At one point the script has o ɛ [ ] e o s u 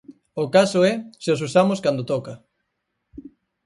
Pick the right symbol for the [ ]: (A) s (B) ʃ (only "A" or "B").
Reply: A